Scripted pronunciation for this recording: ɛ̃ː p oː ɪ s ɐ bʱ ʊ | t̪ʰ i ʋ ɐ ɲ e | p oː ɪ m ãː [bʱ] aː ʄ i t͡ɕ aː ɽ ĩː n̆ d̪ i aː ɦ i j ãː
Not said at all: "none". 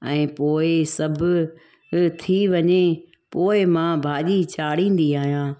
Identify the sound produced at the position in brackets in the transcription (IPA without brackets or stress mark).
bʱ